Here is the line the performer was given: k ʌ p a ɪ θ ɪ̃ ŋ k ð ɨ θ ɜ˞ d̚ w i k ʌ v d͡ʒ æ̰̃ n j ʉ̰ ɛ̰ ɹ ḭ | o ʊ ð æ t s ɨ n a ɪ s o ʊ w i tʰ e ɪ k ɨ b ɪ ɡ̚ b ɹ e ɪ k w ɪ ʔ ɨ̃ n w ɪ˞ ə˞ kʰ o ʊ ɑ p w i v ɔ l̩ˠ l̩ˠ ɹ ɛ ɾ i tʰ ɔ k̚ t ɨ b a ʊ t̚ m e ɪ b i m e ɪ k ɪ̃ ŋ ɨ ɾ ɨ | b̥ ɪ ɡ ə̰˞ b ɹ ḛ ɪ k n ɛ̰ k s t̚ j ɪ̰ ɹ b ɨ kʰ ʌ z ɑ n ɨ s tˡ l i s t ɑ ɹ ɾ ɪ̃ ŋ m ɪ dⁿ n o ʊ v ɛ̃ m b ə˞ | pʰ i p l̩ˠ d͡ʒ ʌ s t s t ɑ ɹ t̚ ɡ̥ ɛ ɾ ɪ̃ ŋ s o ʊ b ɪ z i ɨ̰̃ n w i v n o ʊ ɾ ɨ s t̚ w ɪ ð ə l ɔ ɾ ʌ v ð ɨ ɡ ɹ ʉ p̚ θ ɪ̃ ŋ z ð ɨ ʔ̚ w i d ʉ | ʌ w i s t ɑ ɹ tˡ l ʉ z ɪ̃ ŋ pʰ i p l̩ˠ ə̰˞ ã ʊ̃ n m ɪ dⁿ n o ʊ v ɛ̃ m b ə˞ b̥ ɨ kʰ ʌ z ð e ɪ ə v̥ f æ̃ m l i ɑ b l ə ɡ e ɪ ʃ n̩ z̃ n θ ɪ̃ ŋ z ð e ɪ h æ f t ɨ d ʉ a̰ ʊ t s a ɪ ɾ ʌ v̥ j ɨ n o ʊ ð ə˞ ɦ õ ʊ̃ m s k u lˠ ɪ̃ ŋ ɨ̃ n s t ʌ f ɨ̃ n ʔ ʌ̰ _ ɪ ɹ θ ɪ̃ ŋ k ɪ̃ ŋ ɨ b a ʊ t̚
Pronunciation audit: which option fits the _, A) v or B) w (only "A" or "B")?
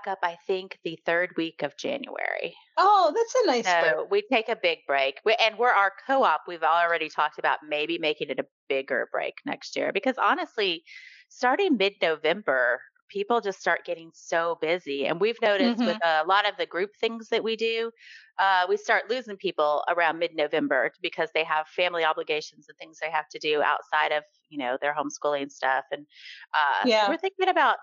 B